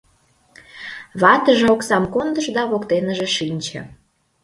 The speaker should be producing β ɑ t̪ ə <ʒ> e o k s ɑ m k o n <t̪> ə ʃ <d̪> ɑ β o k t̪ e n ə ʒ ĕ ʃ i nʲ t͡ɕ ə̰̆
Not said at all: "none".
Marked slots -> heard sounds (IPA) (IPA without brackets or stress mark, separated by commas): ʒ, d̪, d̪